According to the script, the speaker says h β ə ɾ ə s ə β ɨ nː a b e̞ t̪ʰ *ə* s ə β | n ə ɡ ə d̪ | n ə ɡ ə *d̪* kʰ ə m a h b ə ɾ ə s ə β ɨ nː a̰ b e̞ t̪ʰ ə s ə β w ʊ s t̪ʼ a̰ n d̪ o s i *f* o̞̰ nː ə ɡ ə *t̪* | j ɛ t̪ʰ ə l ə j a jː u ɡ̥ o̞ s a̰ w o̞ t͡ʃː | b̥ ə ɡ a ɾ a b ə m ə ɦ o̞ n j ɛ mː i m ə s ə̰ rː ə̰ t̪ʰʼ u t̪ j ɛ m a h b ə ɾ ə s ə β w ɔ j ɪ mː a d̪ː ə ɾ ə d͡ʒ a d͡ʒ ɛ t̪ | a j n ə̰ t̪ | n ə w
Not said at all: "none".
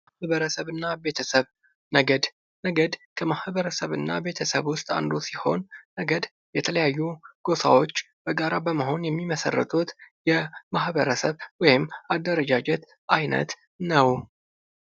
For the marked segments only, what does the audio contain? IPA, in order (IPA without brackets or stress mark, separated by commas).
ə, d̪, h, d̪